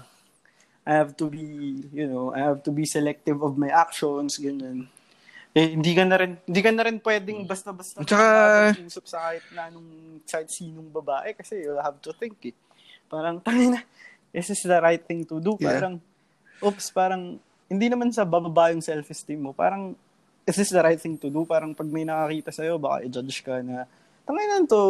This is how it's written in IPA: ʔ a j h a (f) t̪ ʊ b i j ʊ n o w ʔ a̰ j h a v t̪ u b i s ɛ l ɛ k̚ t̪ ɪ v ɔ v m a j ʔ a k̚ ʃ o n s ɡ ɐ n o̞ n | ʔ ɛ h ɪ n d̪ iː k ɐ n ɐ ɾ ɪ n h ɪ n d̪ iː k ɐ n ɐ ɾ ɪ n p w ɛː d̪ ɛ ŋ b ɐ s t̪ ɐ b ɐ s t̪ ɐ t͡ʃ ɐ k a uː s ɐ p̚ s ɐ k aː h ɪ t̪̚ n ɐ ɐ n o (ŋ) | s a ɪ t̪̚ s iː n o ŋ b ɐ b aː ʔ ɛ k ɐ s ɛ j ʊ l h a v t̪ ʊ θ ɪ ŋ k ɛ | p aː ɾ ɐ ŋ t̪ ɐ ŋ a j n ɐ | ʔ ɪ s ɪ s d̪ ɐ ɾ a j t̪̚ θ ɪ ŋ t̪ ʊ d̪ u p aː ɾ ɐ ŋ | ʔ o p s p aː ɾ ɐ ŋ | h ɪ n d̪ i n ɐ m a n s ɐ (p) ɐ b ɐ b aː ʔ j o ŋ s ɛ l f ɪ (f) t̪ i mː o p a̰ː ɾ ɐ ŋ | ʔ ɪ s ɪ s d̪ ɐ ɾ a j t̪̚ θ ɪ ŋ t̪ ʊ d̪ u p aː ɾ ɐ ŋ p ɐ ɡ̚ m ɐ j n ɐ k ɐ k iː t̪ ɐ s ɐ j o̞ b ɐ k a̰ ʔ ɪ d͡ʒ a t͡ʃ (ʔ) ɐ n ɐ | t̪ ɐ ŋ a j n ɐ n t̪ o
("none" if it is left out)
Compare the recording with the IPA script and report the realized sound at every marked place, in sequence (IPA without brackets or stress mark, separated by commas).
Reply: v, ŋ, b, s, k